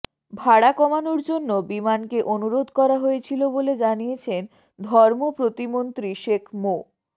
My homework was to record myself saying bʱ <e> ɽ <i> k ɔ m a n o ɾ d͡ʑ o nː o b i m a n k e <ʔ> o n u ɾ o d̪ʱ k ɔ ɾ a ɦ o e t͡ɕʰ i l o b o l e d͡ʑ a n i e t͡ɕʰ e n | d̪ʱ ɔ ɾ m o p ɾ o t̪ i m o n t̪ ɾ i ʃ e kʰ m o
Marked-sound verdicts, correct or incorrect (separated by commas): incorrect, incorrect, correct